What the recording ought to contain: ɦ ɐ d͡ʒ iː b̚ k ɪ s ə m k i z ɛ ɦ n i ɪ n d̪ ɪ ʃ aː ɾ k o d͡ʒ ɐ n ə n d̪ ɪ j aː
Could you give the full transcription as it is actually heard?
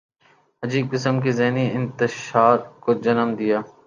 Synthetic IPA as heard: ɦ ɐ d͡ʒ iː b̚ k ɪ s ə m k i z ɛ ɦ n i ɪ n t̪ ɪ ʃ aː ɾ k o d͡ʒ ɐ n ə m d̪ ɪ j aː